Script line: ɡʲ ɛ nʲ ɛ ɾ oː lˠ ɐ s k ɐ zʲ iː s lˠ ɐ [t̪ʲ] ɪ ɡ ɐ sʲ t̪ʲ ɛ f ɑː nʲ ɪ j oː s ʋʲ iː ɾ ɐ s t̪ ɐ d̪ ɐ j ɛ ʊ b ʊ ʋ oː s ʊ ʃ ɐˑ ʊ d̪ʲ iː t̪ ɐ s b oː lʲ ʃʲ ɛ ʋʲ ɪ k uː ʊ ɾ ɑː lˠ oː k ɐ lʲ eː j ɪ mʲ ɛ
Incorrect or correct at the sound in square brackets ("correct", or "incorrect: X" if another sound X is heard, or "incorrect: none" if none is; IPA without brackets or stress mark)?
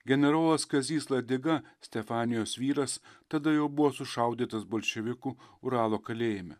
incorrect: d̪ʲ